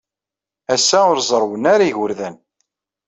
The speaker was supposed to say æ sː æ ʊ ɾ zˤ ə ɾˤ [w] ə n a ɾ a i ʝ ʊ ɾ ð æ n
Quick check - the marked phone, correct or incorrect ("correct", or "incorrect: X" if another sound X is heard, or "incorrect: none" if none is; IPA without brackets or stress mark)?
correct